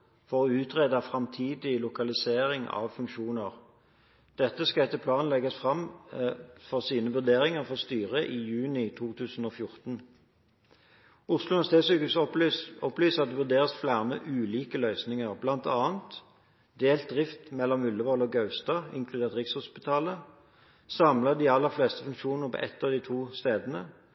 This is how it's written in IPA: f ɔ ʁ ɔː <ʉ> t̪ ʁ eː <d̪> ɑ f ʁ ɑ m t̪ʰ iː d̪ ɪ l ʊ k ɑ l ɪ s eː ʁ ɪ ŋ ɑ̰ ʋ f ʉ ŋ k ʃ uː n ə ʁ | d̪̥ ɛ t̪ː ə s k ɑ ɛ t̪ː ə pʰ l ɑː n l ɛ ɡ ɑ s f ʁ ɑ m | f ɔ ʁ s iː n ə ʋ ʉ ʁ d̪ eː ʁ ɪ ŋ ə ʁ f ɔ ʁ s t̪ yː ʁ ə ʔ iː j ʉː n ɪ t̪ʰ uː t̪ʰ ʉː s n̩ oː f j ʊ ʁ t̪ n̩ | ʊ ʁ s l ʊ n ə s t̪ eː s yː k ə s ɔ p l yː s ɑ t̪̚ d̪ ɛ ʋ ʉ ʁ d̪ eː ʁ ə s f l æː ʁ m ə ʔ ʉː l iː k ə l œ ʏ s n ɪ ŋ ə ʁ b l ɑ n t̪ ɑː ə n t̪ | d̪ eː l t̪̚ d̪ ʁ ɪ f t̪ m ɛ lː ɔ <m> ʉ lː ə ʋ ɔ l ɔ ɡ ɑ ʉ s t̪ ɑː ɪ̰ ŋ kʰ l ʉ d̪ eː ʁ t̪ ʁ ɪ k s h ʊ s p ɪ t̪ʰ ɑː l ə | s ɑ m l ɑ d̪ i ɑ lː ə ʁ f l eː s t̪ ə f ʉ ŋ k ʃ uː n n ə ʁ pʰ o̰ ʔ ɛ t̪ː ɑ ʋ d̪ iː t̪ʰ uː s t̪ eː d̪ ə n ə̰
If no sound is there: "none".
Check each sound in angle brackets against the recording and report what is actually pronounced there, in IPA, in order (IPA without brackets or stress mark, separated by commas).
ʉː, d̪, m